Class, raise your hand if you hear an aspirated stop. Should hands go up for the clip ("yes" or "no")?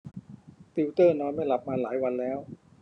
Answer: no